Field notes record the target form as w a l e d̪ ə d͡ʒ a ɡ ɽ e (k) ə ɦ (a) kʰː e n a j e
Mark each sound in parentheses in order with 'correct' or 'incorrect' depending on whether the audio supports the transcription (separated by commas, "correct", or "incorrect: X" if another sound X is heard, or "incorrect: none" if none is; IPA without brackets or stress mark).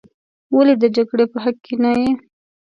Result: incorrect: p, correct